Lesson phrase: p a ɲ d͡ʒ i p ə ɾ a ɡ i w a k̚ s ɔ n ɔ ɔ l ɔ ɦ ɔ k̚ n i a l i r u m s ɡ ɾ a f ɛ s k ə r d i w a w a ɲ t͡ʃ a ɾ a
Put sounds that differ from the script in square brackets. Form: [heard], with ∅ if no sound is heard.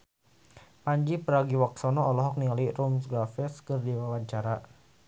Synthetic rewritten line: p a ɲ d͡ʒ i p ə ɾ a ɡ i w a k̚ s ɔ n ɔ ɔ l ɔ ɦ ɔ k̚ n i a l i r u m s ɡ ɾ a f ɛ s k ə r d i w a w a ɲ t͡ʃ a ɾ a